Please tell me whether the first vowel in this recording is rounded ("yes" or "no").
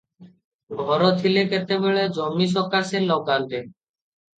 yes